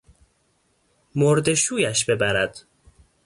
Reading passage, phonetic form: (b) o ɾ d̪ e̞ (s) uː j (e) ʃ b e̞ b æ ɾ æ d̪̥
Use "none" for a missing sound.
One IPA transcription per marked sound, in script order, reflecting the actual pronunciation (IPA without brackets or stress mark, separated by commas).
m, ʃ, æ